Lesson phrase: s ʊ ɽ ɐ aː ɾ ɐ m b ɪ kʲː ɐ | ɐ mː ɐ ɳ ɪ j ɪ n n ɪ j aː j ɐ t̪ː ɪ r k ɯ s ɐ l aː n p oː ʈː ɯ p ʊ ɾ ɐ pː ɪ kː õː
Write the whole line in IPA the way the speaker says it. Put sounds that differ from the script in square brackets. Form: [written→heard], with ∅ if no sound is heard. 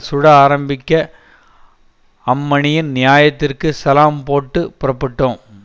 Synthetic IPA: s ʊ ɽ ɐ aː ɾ ɐ m b ɪ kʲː ɐ | ɐ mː ɐ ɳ ɪ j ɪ n n ɪ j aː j ɐ t̪ː ɪ r k ɯ s ɐ l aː [n→m] p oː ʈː ɯ p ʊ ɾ ɐ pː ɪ [kː→ʈː] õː